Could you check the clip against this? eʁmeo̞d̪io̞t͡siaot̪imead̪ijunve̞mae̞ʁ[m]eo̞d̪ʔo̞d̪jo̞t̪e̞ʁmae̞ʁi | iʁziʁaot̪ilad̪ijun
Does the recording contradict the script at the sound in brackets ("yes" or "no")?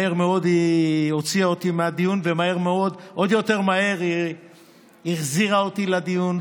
no